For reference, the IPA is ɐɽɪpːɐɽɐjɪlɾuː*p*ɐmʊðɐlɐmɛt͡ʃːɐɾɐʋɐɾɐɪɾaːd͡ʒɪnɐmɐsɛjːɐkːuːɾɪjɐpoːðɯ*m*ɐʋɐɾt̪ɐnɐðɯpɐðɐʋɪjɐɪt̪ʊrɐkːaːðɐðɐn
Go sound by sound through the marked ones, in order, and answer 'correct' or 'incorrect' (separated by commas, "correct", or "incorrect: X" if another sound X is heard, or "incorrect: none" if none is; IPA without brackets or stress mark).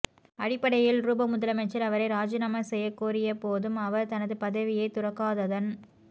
incorrect: b, correct